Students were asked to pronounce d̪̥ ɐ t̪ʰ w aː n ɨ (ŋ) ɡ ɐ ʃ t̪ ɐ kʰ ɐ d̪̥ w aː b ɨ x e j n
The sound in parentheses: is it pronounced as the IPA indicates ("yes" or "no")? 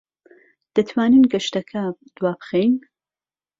no